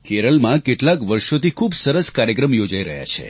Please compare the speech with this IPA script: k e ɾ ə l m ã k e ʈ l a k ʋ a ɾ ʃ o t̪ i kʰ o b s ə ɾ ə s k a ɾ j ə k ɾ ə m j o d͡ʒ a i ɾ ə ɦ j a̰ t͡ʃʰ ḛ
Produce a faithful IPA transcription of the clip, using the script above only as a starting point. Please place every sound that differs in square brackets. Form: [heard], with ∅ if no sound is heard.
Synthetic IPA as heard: k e ɾ ə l m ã k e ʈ l a k ʋ [ə] ɾ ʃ o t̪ i kʰ [u] b s ə ɾ ə s k a ɾ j ə k ɾ ə m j o d͡ʒ a i ɾ ə ɦ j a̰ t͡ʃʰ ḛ